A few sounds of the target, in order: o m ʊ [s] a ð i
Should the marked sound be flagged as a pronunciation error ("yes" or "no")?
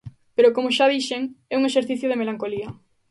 yes